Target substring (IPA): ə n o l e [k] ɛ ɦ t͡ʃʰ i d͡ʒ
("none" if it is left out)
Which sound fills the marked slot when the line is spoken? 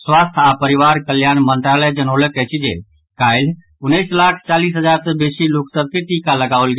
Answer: k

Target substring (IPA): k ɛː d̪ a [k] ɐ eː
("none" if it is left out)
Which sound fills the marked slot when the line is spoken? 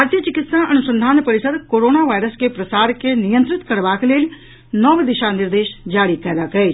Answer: k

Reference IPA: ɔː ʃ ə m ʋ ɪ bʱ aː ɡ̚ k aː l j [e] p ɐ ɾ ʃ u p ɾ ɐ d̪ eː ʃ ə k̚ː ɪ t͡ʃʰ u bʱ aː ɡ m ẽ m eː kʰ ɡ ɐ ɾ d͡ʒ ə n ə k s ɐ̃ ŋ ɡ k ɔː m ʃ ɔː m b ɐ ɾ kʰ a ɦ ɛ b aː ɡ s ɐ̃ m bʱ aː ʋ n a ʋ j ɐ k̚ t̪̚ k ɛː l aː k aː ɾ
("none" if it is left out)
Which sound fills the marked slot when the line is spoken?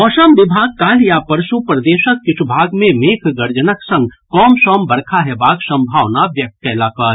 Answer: a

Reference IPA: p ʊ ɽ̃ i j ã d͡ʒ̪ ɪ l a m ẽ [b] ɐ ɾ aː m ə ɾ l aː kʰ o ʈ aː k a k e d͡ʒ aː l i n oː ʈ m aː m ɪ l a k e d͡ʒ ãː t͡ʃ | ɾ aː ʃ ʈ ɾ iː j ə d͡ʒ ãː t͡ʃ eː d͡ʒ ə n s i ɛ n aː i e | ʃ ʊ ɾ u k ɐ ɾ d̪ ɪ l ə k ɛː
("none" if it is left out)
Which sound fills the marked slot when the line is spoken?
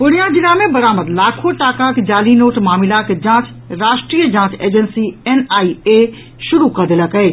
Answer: b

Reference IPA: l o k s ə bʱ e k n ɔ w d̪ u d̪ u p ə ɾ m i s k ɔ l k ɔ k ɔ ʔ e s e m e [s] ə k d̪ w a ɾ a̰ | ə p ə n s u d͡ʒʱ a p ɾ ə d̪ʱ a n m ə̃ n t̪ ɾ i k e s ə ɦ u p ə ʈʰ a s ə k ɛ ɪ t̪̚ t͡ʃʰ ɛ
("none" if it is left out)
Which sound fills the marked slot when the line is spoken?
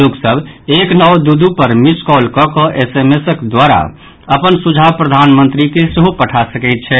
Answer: s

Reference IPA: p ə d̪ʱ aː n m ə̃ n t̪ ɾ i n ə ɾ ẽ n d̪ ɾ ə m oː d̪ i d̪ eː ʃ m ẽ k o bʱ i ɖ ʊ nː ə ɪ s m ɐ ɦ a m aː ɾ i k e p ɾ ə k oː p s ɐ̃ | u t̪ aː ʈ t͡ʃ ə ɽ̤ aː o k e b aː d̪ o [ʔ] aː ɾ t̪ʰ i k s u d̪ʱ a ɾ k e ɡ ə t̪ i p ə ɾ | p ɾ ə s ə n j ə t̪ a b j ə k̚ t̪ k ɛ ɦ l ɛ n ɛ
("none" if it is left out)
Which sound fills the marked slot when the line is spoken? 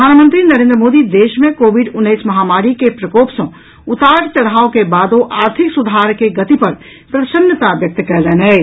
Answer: ʔ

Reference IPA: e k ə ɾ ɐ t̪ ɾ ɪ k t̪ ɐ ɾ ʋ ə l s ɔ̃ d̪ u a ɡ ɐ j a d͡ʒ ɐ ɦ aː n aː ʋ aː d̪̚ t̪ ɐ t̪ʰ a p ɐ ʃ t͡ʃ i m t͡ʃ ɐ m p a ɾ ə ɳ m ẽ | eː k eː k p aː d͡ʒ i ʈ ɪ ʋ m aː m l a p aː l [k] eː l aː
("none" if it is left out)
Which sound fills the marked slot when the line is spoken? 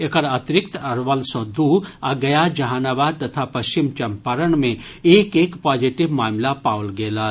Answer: ɡ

